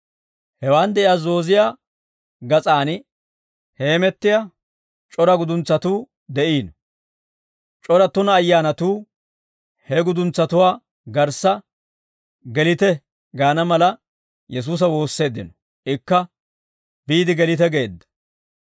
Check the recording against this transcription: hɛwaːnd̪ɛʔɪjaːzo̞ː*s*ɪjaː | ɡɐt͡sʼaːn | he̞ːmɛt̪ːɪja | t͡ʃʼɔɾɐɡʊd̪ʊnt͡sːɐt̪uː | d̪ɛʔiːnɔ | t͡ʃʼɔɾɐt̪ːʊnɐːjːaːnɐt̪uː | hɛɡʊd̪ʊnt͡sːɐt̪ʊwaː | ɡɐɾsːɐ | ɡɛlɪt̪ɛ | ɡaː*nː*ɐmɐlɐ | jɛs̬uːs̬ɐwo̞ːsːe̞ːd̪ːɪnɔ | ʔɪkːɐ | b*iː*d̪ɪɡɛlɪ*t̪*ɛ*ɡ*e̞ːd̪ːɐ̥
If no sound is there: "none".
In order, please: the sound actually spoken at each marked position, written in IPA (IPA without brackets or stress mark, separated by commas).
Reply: z, n, iː, t̪, ɡ